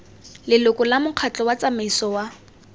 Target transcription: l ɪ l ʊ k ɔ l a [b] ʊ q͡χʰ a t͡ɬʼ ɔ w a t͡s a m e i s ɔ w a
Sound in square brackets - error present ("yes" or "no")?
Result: yes